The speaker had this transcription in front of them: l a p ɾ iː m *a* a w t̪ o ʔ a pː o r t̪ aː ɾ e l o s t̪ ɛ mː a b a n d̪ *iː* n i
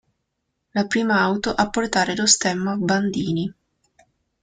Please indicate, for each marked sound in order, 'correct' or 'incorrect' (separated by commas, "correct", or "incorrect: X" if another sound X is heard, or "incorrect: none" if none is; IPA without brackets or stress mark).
correct, correct